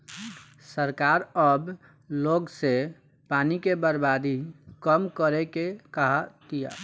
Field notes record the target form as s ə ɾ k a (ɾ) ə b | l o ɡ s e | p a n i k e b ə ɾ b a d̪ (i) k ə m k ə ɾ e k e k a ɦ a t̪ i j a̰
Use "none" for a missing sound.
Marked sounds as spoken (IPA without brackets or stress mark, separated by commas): ɾ, i